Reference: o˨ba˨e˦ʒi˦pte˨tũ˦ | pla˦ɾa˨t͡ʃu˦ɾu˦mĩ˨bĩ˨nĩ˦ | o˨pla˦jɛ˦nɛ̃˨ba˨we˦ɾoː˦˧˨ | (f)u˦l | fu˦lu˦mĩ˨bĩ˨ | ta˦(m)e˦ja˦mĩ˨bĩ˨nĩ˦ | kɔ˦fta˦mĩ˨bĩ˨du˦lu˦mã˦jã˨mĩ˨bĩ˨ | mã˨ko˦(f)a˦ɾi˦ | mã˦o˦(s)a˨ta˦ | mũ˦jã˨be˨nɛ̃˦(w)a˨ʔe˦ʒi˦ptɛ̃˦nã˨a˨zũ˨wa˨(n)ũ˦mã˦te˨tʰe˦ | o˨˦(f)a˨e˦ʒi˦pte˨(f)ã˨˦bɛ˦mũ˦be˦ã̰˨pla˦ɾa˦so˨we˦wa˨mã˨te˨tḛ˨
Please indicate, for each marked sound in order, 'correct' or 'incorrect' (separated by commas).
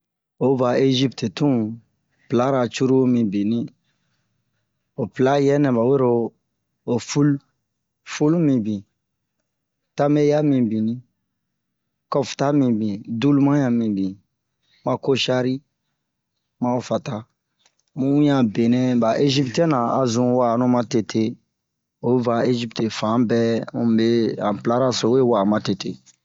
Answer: correct, correct, incorrect, incorrect, incorrect, correct, incorrect, correct